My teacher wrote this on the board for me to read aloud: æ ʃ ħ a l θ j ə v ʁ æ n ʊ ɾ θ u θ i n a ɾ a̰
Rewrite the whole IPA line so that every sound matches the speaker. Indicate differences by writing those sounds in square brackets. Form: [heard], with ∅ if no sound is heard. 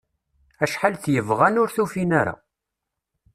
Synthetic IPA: æ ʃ ħ a l θ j ə v ʁ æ n ʊ ɾ θ u [f] i n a ɾ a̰